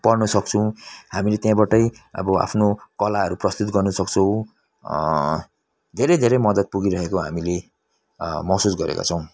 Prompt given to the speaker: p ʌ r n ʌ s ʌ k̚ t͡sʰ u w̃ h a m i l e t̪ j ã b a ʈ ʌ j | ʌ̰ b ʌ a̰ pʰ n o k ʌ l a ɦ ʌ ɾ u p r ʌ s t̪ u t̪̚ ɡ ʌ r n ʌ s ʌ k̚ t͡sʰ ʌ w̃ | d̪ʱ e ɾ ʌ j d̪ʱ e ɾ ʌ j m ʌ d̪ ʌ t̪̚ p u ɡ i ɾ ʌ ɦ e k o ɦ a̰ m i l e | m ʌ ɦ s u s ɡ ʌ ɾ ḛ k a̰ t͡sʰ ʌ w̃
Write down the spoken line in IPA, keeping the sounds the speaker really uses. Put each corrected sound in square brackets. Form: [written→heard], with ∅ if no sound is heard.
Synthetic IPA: p ʌ r n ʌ s ʌ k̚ t͡sʰ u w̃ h a m i l e t̪ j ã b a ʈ ʌ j | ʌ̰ b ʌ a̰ pʰ n o k ʌ l a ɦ ʌ ɾ u p r ʌ s t̪ u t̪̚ ɡ ʌ r n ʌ s ʌ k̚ t͡sʰ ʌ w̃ | d̪ʱ e ɾ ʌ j d̪ʱ e ɾ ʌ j m ʌ d̪ ʌ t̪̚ p u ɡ i ɾ ʌ ɦ e k o ɦ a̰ m i l e | m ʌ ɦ s u s ɡ ʌ ɾ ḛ k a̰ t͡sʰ ʌ w̃